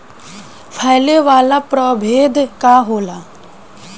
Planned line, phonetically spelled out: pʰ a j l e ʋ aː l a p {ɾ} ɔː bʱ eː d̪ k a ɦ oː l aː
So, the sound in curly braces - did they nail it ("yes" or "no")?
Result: yes